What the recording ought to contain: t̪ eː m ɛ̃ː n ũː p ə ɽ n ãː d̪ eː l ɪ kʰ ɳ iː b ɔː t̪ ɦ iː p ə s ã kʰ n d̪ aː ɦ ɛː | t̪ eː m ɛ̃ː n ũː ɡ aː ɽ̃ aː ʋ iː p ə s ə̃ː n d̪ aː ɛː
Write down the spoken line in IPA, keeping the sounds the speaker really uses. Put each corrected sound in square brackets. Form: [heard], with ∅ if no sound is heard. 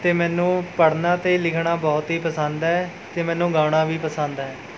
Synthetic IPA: t̪ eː m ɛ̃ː n ũː p ə ɽ n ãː [t̪] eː l ɪ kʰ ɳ [aː] b ɔː t̪ ɦ iː p ə s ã [∅] n d̪ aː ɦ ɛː | t̪ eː m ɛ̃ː n ũː ɡ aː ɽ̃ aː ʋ iː p ə s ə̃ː n d̪ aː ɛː